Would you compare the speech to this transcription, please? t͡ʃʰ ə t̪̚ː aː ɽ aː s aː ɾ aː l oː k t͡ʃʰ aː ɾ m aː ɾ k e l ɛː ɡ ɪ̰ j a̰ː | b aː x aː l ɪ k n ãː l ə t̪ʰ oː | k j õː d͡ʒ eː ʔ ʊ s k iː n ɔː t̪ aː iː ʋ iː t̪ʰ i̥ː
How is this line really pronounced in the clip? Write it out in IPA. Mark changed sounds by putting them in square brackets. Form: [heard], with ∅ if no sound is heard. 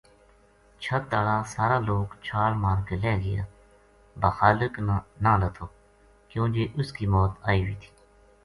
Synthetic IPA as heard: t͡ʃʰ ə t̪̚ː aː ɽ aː s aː ɾ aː l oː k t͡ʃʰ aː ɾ m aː ɾ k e l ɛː ɡ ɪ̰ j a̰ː | b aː x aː l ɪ k n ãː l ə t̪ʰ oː | k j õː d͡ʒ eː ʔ ʊ s k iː [m] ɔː t̪ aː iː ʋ iː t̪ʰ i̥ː